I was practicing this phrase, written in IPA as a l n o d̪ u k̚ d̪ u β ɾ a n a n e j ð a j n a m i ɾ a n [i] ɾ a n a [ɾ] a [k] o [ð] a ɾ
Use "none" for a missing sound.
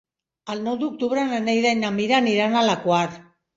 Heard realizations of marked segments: i, l, k, none

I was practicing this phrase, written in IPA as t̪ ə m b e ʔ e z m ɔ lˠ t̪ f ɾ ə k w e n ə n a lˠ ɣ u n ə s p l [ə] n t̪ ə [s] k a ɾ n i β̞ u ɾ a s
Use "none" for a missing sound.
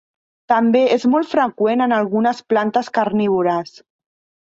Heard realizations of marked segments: a, s

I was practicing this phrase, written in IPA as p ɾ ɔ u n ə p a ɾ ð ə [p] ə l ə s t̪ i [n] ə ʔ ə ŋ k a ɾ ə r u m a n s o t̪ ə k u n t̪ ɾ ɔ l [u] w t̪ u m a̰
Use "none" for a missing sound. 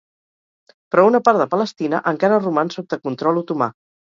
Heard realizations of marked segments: p, n, u

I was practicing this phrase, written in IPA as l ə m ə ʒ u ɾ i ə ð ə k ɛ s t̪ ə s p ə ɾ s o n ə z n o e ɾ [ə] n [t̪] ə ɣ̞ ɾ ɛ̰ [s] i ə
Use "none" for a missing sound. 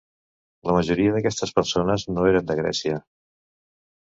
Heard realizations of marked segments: ə, d̪, s

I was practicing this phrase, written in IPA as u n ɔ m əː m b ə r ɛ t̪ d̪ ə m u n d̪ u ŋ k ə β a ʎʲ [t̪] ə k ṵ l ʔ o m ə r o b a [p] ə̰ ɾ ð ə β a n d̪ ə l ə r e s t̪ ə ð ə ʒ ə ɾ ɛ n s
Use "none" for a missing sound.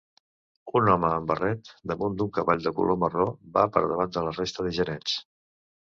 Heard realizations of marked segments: d̪, p

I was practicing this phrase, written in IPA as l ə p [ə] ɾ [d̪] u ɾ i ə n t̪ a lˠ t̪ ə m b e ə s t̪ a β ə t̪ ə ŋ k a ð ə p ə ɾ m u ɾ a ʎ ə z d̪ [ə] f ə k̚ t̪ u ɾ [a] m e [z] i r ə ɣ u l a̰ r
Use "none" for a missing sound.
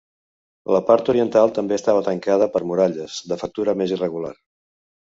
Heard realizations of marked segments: a, t̪, ə, ə, z

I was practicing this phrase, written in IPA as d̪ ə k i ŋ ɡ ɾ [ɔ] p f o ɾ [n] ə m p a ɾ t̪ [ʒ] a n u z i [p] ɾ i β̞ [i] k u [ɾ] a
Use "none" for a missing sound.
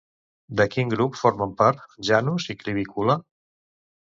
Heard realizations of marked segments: u, m, ʒ, k, i, l

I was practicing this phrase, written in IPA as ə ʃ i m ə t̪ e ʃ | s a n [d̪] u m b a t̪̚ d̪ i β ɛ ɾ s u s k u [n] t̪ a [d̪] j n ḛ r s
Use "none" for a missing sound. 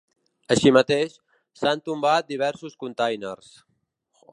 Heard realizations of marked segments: t̪, n, none

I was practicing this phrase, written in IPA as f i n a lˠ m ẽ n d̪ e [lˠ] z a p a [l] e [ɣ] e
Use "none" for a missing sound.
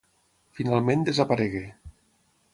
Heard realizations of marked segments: none, ɾ, ɣ

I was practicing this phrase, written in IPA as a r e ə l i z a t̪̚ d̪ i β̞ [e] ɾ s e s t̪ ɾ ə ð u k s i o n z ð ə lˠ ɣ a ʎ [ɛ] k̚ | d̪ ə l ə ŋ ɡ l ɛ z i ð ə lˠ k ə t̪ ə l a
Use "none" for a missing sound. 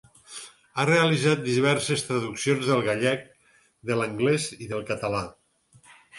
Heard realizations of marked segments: ɛ, ɛ

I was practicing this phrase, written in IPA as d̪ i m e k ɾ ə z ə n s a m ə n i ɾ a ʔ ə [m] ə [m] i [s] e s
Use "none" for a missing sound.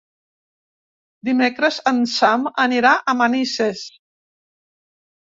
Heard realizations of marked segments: m, n, s

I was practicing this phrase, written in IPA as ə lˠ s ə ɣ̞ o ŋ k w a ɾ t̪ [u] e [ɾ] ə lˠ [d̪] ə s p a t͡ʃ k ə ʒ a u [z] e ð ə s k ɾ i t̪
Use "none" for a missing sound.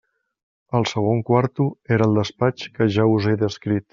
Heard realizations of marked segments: u, ɾ, d̪, z

